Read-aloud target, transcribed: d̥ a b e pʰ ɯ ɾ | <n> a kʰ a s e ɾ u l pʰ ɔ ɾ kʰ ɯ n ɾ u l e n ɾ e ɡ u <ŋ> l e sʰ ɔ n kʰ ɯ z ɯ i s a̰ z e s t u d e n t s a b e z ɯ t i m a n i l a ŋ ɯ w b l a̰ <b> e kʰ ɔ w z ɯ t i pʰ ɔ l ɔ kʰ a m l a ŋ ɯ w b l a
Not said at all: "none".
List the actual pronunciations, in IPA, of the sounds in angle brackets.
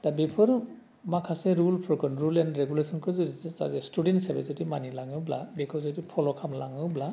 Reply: m, none, b

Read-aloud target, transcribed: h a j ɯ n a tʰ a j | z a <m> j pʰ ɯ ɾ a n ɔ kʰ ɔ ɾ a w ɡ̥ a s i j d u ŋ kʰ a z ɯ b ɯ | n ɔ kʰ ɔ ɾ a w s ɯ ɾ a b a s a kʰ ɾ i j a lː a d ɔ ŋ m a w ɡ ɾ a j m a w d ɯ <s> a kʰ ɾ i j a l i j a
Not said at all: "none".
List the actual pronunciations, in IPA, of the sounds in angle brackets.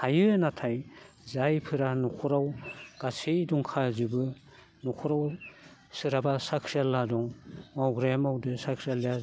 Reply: none, s

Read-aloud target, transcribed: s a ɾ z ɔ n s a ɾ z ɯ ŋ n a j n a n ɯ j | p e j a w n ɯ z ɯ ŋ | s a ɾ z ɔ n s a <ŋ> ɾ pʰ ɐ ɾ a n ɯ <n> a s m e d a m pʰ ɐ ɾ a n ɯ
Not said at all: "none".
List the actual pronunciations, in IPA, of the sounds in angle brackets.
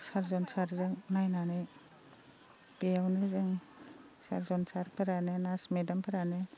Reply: none, n

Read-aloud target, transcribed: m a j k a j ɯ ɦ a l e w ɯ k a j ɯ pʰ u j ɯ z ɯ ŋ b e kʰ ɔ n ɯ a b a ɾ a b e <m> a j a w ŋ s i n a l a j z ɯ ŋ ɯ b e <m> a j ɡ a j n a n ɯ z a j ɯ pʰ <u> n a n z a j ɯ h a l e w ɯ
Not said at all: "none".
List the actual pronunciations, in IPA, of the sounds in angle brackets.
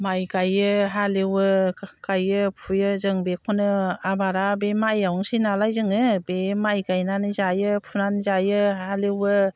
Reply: m, m, u

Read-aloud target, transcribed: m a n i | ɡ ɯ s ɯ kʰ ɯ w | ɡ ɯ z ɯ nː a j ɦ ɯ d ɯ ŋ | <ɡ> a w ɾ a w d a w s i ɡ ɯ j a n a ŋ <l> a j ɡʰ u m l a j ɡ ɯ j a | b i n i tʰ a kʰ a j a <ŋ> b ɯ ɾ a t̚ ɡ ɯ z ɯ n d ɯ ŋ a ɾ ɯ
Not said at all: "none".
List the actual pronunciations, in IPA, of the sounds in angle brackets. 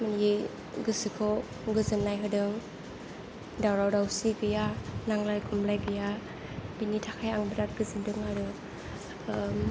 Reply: d, l, ŋ

